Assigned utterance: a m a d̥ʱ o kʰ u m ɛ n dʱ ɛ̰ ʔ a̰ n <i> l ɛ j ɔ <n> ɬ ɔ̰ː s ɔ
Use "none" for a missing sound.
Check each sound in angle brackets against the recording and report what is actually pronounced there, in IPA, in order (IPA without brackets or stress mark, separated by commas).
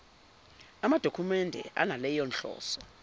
a, n